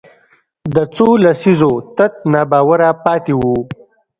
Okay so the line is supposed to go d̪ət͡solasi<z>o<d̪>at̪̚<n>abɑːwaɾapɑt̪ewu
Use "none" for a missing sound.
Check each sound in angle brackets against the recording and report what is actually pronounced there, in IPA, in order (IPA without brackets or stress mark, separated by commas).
z, t̪, n